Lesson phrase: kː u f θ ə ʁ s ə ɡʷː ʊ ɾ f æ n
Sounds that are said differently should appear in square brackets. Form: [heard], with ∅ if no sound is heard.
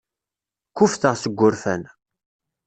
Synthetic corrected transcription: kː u f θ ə ʁ s ə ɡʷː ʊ ɾ f æ n

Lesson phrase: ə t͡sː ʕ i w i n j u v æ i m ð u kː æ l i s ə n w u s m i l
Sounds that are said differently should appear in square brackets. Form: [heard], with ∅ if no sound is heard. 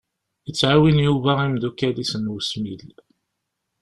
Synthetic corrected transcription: ə t͡sː ʕ [a] w i n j u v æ i m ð u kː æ l i s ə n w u s m i l

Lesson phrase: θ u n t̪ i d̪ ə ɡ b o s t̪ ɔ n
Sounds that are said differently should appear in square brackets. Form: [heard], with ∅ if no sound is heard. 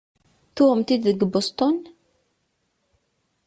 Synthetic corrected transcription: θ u [m] t̪ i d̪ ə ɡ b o s t̪ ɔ n

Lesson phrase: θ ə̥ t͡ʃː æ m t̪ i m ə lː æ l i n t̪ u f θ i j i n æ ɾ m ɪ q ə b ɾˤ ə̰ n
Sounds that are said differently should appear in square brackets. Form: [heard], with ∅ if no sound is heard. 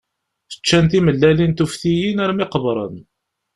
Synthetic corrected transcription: θ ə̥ t͡ʃː æ [n] t̪ i m ə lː æ l i n t̪ u f θ i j i n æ ɾ m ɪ q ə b ɾˤ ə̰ n

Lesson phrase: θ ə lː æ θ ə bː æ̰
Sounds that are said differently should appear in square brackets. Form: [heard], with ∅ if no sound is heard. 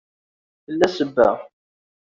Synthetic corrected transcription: θ ə lː æ [s] ə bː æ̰

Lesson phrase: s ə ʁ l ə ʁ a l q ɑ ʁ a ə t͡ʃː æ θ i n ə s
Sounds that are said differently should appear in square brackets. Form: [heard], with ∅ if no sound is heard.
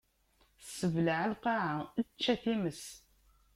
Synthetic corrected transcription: s ə [v] l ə [ʕ] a l q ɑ [ʕ] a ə t͡ʃː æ θ i [m] ə s

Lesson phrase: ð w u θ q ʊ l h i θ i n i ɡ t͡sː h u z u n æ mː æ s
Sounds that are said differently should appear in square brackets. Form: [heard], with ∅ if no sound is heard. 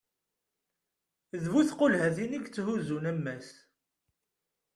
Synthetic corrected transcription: ð [v] u θ q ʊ l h [æ] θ i n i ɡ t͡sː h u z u n æ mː æ s

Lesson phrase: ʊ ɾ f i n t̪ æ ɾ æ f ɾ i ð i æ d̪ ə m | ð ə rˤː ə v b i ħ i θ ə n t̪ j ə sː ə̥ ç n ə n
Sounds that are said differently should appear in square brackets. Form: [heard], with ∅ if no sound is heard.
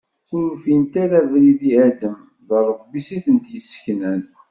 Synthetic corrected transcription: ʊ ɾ f i n t̪ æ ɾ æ [v] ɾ i ð i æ d̪ ə m | ð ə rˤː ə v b i [s] i θ ə n t̪ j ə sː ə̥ ç n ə n

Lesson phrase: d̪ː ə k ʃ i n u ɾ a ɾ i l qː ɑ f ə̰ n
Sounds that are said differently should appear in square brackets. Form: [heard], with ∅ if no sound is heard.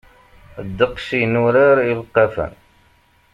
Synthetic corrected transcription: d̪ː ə [q] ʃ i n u ɾ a ɾ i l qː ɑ f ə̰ n

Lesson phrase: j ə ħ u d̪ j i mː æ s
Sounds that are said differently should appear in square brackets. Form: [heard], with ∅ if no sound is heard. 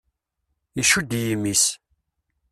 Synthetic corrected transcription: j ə [ʃ] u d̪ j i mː [i] s

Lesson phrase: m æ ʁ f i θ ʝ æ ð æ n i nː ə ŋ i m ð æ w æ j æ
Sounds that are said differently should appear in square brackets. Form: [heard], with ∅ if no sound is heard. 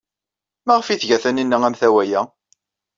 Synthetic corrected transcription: m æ ʁ f i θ ʝ æ [θ] æ n i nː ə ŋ [æ] m [θ] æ w æ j æ

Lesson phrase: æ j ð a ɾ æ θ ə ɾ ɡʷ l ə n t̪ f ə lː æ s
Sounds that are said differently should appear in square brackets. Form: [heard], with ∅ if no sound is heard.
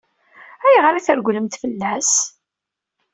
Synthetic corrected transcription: æ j [ʁ] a ɾ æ θ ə ɾ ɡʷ l ə [m] t̪ f ə lː æ s

